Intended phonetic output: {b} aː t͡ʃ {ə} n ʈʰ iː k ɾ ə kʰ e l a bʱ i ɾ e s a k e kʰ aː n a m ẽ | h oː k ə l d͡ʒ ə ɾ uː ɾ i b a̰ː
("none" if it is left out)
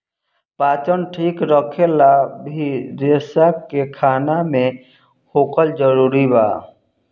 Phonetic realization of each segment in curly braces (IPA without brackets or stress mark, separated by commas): p, ə